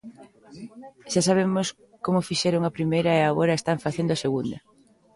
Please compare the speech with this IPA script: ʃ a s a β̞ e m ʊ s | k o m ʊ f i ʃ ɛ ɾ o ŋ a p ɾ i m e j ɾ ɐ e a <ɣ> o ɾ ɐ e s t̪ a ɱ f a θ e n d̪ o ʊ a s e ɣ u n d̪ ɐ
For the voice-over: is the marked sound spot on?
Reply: yes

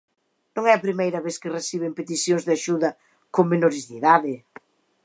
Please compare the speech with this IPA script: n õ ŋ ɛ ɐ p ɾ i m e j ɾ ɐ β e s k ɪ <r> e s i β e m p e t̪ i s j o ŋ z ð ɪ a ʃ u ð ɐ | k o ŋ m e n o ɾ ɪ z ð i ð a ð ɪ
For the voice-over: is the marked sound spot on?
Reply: yes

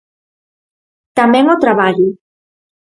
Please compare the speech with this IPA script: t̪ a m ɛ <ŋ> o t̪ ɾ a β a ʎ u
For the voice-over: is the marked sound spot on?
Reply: yes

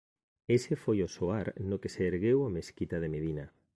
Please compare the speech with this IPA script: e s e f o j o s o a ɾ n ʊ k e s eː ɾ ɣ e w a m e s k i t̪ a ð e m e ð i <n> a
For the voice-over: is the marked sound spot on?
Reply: yes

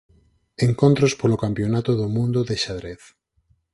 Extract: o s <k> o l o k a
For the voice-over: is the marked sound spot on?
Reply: no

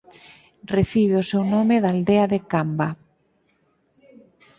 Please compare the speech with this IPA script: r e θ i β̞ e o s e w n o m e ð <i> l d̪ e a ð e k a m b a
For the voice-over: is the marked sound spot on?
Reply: no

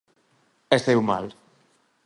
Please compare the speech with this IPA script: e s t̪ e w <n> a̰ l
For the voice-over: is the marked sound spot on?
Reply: no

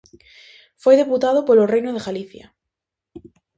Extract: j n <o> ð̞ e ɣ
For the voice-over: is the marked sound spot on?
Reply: yes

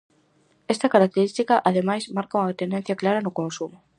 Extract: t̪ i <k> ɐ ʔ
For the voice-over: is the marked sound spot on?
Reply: yes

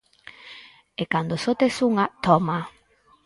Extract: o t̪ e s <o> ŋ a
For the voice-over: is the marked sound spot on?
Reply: no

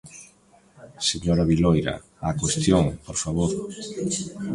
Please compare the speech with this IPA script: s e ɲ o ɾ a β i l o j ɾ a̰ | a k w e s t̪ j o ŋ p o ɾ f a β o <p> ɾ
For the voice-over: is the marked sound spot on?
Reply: no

